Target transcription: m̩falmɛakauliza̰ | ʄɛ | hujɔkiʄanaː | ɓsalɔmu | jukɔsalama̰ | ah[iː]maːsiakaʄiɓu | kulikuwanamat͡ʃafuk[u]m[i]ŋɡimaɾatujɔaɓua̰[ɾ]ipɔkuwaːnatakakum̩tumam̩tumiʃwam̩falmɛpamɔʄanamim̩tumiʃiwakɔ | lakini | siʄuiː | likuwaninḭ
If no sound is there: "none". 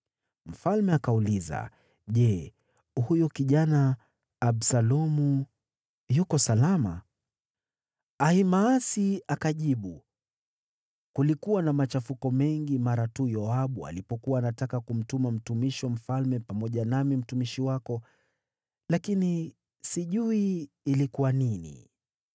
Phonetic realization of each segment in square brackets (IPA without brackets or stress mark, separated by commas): i, ɔ, ɛ, l